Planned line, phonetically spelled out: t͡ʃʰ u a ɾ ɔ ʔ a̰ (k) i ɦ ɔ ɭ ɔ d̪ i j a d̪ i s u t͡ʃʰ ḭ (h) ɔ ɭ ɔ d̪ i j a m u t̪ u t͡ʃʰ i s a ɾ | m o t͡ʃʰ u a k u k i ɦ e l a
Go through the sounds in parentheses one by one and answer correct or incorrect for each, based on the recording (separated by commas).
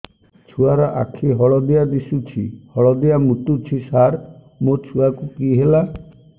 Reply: incorrect, correct